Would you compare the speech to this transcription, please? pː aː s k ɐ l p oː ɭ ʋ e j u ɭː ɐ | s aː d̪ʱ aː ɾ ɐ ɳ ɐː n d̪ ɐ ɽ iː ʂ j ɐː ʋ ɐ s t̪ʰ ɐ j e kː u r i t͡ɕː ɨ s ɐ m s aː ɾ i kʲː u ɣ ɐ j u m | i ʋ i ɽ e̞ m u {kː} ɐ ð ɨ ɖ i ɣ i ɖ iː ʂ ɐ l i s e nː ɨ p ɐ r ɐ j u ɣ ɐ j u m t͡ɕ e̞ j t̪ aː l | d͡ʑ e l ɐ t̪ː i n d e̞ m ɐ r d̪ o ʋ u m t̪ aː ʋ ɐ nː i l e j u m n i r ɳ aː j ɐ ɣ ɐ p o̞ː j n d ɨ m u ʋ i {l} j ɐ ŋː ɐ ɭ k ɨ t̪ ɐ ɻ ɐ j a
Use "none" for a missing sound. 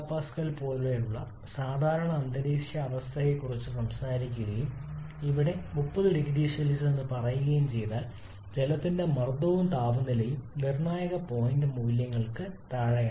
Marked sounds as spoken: pː, l

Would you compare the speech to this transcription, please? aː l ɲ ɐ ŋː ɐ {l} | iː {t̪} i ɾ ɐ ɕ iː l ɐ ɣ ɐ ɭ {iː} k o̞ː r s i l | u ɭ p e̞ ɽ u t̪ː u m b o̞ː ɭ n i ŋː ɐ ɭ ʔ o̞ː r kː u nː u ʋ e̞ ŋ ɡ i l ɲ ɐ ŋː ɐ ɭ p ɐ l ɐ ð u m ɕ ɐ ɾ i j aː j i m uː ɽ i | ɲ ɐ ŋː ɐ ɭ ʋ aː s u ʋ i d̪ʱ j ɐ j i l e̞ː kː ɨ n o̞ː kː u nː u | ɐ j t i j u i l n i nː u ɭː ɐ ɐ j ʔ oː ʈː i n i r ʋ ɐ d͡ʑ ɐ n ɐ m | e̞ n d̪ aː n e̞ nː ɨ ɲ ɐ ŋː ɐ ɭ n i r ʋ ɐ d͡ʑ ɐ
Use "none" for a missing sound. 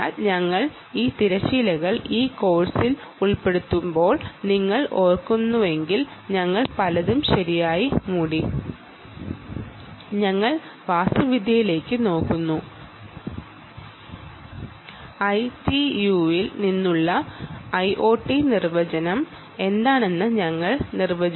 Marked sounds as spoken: ɭ, t̪, iː

